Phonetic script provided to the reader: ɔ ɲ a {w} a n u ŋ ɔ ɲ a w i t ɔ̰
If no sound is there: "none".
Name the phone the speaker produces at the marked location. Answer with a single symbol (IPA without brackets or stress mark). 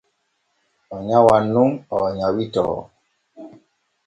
w